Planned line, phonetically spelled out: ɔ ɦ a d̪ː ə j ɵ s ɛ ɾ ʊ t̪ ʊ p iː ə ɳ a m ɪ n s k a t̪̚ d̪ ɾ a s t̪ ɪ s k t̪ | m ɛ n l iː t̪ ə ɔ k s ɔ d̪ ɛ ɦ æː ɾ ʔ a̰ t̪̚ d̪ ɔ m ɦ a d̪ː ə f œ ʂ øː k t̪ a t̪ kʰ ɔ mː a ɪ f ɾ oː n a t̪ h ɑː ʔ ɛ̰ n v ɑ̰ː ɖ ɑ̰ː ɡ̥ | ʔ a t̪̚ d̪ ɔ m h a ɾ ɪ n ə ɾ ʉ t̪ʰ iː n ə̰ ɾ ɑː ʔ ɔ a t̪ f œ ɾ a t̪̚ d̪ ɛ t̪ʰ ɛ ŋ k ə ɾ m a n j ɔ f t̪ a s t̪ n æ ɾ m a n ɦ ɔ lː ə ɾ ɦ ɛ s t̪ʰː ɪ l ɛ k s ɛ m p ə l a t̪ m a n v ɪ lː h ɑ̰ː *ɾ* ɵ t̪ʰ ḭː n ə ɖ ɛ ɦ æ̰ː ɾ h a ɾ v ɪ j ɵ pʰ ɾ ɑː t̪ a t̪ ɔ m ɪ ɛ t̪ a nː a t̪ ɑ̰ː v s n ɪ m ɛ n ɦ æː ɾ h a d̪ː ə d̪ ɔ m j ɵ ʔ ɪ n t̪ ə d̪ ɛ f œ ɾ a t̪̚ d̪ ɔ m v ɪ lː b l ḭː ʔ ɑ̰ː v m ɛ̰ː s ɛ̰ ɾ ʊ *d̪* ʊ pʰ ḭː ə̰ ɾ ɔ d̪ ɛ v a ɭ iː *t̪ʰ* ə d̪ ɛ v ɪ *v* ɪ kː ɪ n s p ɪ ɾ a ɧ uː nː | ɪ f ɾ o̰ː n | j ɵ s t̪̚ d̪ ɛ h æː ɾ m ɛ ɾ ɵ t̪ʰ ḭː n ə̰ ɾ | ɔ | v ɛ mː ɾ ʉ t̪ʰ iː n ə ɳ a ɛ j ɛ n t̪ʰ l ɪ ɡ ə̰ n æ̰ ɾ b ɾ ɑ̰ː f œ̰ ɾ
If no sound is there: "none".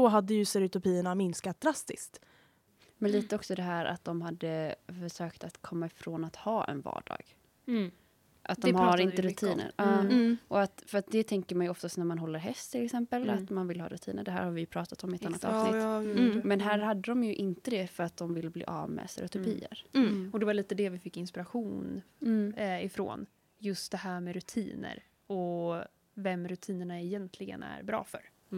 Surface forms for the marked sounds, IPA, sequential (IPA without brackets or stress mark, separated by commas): ɾ, t̪, t̪, f